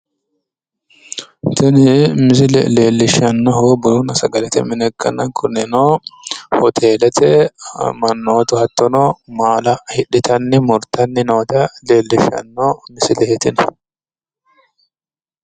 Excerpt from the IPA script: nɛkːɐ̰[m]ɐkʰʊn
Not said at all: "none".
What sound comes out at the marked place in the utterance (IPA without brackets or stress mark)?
n